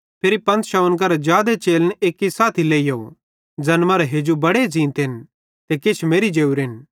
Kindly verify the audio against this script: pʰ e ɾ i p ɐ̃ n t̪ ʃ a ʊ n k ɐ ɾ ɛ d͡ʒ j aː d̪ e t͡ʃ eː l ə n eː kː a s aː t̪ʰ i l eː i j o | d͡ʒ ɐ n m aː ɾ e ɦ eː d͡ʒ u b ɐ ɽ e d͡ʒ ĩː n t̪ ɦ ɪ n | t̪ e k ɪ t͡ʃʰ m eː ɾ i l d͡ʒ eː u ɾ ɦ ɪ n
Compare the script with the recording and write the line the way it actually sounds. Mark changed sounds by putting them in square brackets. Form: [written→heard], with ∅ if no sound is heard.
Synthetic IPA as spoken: pʰ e ɾ i p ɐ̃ n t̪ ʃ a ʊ n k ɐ ɾ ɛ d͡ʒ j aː d̪ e t͡ʃ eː l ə n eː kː [a→i] s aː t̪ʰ i l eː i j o | d͡ʒ ɐ n m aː ɾ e ɦ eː d͡ʒ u b ɐ ɽ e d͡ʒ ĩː n t̪ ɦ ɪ n | t̪ e k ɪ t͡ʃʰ m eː ɾ i [l→∅] d͡ʒ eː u ɾ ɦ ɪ n

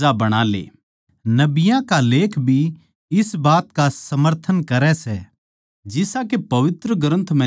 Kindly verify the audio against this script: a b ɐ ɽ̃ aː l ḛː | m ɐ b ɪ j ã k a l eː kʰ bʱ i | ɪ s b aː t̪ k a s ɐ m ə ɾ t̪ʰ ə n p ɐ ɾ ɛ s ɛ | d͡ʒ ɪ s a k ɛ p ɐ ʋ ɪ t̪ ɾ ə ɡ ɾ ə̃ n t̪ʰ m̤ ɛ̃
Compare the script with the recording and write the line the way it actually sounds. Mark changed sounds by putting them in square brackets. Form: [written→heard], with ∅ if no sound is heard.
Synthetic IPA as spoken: a b ɐ ɽ̃ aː l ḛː | [m→n] ɐ b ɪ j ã k a l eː kʰ bʱ i | ɪ s b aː t̪ k a s ɐ m ə ɾ t̪ʰ ə n [p→k] ɐ ɾ ɛ s ɛ | d͡ʒ ɪ s a k [ɛ→e] p ɐ ʋ ɪ t̪ ɾ ə ɡ ɾ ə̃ n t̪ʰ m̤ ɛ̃

